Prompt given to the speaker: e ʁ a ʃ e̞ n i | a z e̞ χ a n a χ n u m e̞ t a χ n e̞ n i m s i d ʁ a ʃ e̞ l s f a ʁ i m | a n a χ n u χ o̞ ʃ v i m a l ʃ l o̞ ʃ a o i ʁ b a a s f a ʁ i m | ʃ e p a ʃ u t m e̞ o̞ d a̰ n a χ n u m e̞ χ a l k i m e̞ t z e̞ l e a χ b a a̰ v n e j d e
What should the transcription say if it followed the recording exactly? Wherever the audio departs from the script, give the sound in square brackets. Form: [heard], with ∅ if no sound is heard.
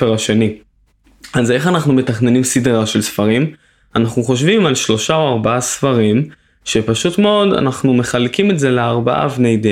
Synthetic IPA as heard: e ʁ a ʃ e̞ n i | a z e̞ χ a n a χ n u m e̞ t a χ n e̞ n i m s i d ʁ a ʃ e̞ l s f a ʁ i m | a n a χ n u χ o̞ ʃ v i m a l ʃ l o̞ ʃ a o [a] ʁ b a a s f a ʁ i m | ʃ e p a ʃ u t m e̞ o̞ d a̰ n a χ n u m e̞ χ a l k i m e̞ t z e̞ l e a [ʁ] b a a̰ v n e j d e